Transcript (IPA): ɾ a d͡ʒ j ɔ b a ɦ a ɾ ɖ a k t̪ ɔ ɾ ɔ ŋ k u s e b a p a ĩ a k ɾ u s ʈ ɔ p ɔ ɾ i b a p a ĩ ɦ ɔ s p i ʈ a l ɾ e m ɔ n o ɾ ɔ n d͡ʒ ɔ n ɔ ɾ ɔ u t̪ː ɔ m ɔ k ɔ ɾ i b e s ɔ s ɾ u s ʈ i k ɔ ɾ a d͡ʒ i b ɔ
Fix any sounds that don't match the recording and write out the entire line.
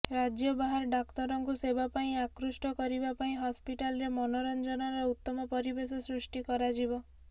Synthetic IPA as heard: ɾ a d͡ʒ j ɔ b a ɦ a ɾ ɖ a k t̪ ɔ ɾ ɔ ŋ k u s e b a p a ĩ a k ɾ u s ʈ ɔ k ɔ ɾ i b a p a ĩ ɦ ɔ s p i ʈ a l ɾ e m ɔ n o ɾ ɔ n d͡ʒ ɔ n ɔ ɾ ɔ u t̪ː ɔ m ɔ p ɔ ɾ i b e s ɔ s ɾ u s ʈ i k ɔ ɾ a d͡ʒ i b ɔ